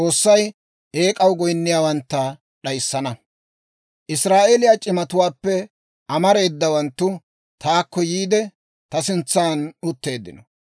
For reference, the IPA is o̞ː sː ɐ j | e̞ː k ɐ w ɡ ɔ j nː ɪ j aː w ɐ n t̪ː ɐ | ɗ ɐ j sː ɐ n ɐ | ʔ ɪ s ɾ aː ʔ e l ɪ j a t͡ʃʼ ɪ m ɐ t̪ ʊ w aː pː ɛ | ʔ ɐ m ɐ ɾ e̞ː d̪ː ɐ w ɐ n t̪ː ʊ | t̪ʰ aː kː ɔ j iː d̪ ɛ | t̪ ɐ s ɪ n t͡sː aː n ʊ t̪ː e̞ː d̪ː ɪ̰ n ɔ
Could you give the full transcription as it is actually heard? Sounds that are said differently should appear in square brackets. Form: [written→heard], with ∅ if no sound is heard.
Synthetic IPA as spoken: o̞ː sː ɐ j | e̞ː [k→kʼ] ɐ w ɡ ɔ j nː ɪ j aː w ɐ n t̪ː ɐ | ɗ ɐ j sː ɐ n ɐ | ʔ ɪ s ɾ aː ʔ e l ɪ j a t͡ʃʼ ɪ m ɐ t̪ ʊ w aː pː ɛ | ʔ ɐ m ɐ ɾ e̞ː d̪ː ɐ w ɐ n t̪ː ʊ | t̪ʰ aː kː ɔ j iː d̪ ɛ | t̪ ɐ s ɪ n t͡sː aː n ʊ t̪ː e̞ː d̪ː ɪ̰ n ɔ